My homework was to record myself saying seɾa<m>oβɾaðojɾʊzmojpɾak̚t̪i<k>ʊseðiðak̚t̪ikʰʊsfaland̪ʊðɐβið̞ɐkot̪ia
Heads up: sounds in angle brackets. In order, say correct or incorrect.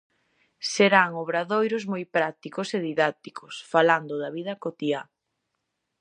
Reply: incorrect: ŋ, correct

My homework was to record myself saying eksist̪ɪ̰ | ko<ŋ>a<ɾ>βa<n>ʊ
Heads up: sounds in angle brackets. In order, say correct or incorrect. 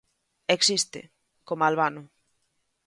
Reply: incorrect: m, incorrect: l, correct

